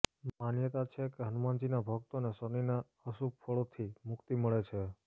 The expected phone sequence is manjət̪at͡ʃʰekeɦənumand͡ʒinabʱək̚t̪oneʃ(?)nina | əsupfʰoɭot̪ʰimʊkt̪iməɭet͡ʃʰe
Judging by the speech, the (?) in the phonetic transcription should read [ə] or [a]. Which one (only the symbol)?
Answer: ə